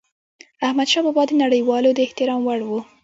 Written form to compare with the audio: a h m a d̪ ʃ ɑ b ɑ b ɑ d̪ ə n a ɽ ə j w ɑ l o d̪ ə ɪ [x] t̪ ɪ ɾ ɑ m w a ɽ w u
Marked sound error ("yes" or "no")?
yes